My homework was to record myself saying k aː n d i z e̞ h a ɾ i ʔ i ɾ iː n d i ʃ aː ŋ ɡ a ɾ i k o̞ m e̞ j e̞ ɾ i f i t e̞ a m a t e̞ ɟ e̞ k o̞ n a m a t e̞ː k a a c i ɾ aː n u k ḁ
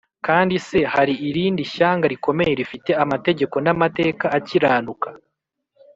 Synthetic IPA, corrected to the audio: k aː n d i s e̞ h a ɾ i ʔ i ɾ iː n d i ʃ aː ŋ ɡ a ɾ i k o̞ m e̞ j e̞ ɾ i f i t e̞ a m a t e̞ ɟ e̞ k o̞ n a m a t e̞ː k a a c i ɾ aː n u k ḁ

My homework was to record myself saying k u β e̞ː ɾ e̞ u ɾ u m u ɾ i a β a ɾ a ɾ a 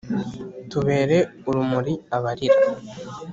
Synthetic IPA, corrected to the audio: t u β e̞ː ɾ e̞ u ɾ u m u ɾ i a β a ɾ i ɾ a

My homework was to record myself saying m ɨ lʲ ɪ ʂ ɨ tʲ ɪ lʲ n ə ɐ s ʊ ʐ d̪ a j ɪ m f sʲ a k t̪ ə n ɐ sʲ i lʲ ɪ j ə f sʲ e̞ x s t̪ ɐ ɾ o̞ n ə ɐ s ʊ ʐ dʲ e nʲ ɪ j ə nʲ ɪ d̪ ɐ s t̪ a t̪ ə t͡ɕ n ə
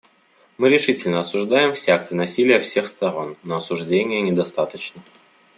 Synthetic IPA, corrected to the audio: m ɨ ɾʲ ɪ ʂ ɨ tʲ ɪ lʲ n ə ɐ s ʊ ʐ d̪ a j ɪ m f sʲ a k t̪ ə n ɐ sʲ i lʲ ɪ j ə f sʲ e̞ x s t̪ ɐ ɾ o̞ nː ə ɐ s ʊ ʐ dʲ e nʲ ɪ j ə nʲ ɪ d̪ ɐ s t̪ a t̪ ə t͡ɕ n ə

